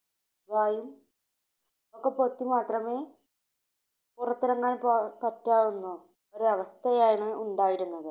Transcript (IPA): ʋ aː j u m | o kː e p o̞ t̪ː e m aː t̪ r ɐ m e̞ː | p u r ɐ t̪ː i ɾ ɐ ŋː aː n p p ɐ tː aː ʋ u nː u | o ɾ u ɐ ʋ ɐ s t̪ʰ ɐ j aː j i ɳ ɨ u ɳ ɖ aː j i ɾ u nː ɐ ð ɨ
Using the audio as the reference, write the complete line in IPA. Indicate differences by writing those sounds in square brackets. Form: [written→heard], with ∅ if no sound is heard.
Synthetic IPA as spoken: ʋ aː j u m | o kː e p o̞ t̪ː [e→i] m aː t̪ r ɐ m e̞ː | p u r ɐ t̪ː i ɾ ɐ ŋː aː n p p ɐ tː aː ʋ u nː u | o ɾ u ɐ ʋ ɐ s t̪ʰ ɐ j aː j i ɳ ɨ u ɳ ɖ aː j i ɾ u nː ɐ ð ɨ